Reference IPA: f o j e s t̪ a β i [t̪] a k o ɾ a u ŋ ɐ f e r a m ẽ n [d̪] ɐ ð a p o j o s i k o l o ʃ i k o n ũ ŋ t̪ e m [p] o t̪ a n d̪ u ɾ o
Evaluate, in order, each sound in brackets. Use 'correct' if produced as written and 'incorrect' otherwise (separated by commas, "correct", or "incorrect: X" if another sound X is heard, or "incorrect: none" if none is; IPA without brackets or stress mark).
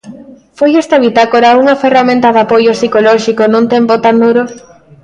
correct, incorrect: t̪, correct